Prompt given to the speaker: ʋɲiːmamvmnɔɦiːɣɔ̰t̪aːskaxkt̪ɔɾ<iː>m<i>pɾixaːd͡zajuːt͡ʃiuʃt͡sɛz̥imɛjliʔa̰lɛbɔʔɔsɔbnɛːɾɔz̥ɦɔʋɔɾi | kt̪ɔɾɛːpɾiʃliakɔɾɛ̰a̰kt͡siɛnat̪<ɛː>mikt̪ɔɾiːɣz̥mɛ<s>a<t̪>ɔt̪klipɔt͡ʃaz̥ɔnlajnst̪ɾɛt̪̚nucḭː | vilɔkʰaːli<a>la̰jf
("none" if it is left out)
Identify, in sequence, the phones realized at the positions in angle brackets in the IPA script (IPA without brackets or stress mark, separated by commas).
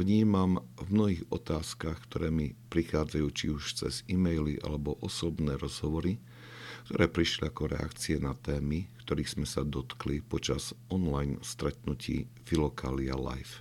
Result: ɛː, i, ɛː, s, d̪, a